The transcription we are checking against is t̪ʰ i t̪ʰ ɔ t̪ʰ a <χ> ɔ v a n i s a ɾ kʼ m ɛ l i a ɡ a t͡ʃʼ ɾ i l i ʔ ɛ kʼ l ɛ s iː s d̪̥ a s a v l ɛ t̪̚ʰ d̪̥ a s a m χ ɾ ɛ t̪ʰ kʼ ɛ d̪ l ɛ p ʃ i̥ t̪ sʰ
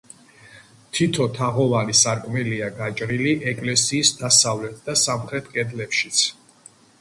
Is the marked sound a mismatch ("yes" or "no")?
yes